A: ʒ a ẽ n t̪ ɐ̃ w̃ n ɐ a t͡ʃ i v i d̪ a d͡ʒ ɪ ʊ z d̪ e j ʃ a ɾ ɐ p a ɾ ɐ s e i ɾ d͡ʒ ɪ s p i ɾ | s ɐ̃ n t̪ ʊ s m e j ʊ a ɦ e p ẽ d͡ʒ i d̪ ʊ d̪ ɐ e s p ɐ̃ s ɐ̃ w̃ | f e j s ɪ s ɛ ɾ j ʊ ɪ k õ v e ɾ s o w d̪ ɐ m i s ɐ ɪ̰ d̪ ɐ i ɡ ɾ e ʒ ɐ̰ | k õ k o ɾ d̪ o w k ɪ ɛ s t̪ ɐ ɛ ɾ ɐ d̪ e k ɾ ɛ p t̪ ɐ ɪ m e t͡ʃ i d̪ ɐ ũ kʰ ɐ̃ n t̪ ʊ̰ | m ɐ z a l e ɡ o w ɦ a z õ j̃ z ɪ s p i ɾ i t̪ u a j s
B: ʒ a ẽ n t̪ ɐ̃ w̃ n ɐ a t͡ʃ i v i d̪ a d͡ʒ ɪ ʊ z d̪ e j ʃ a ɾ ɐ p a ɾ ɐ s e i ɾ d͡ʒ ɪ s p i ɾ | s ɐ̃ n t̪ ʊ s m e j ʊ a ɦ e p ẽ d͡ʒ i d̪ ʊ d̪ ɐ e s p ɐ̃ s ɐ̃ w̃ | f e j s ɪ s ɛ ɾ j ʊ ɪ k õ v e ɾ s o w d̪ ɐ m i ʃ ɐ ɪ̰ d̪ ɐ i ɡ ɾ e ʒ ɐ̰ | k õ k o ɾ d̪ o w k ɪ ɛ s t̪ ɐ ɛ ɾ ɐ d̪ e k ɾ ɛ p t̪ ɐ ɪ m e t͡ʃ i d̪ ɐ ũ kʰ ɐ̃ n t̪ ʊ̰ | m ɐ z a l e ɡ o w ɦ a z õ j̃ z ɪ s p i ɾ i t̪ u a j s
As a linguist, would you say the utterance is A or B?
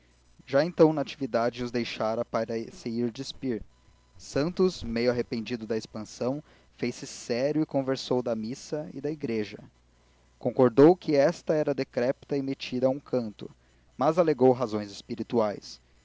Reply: A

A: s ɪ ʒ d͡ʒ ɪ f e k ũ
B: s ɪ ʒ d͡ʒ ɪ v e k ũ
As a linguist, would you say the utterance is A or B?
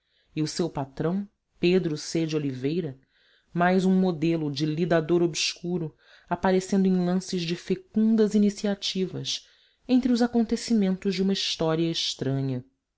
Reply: A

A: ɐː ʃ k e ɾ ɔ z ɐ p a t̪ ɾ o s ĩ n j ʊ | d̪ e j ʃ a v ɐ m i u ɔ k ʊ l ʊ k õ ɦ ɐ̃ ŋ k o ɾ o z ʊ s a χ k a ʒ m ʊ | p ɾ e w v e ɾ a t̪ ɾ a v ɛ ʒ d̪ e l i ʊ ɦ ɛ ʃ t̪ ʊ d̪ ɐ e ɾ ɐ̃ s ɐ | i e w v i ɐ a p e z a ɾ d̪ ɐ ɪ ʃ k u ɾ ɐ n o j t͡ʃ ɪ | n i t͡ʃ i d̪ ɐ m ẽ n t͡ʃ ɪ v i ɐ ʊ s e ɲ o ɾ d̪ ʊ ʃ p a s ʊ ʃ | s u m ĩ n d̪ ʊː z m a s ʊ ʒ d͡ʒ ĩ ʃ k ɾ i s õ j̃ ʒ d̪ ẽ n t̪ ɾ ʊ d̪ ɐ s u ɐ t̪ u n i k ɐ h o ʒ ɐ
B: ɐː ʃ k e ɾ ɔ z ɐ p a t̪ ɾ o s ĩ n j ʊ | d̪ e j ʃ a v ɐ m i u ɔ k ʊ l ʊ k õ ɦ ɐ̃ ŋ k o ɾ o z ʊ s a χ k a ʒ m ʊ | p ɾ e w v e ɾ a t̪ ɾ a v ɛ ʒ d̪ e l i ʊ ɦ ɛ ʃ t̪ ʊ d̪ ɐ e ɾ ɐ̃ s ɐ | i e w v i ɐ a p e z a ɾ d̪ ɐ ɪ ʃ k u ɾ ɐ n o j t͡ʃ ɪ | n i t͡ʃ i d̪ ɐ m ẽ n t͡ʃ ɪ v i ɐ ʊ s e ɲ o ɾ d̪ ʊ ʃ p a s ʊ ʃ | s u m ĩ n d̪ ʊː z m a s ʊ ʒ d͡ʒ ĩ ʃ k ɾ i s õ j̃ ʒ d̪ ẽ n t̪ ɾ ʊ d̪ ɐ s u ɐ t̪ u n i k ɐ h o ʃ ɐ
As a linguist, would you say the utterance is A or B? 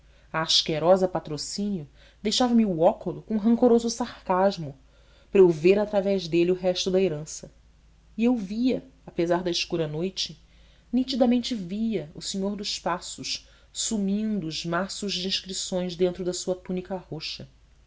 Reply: B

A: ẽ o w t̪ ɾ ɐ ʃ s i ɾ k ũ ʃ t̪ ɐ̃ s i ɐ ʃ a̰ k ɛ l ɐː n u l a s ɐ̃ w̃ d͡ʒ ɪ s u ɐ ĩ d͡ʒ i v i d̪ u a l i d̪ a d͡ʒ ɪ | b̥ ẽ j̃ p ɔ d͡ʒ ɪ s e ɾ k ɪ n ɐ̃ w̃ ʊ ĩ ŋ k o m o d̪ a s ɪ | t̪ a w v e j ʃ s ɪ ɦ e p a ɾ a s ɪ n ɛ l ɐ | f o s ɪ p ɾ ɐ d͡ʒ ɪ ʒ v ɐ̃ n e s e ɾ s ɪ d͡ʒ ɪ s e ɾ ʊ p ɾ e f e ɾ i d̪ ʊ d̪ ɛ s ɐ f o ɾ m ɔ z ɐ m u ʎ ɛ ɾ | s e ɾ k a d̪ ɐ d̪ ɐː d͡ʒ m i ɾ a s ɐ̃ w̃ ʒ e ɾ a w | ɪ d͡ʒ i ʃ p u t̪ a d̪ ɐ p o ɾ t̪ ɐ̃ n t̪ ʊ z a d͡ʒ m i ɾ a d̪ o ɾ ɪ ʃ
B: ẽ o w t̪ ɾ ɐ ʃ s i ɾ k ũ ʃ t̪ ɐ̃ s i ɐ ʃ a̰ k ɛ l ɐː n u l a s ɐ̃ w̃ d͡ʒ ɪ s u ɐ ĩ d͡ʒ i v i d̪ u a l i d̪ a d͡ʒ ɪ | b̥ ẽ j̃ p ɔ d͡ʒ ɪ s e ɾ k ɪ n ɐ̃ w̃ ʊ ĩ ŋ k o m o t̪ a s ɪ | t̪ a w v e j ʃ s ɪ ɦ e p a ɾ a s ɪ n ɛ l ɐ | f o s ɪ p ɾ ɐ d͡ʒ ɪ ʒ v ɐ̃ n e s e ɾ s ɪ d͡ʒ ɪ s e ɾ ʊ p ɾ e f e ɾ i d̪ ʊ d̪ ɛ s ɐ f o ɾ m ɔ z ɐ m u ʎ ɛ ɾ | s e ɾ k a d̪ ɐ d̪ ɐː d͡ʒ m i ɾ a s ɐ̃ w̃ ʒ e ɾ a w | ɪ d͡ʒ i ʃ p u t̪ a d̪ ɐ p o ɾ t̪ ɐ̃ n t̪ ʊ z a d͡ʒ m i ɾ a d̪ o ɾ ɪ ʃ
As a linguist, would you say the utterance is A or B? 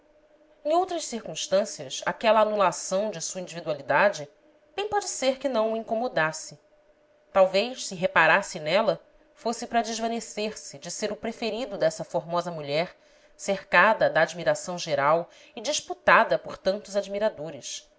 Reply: A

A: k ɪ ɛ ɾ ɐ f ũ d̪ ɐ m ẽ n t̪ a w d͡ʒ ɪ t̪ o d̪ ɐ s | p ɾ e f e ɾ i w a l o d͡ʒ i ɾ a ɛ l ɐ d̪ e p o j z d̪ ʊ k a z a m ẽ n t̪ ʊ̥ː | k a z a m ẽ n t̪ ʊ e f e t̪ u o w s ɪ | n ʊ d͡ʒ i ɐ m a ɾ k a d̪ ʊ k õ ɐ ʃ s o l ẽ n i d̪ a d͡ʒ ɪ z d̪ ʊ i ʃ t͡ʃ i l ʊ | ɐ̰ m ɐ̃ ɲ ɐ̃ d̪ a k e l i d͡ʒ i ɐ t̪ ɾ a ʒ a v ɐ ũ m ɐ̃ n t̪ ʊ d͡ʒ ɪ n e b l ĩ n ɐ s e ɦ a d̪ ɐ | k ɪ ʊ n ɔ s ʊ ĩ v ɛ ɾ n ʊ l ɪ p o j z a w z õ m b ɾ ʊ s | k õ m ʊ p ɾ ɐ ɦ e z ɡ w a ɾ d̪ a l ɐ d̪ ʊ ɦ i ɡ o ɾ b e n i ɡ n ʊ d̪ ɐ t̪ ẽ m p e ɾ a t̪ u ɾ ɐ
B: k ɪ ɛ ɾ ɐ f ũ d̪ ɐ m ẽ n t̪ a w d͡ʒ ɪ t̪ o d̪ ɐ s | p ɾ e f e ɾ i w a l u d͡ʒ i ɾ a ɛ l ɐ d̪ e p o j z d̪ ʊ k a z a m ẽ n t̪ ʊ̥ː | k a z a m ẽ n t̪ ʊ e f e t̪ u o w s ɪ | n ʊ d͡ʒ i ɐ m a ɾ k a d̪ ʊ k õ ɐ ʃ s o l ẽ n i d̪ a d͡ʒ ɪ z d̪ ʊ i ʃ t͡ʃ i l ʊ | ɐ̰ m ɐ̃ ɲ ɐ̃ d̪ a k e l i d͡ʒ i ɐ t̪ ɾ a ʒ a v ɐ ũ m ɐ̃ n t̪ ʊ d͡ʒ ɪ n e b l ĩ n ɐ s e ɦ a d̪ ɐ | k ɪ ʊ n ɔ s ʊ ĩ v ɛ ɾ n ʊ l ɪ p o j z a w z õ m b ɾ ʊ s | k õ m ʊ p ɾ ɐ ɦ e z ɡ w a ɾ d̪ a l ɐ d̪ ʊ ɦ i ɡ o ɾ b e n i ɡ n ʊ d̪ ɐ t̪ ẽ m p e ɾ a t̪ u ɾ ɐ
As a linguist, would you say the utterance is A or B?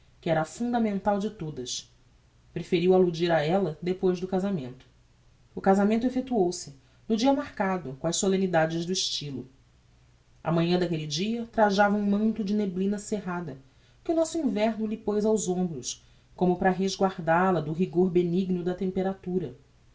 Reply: B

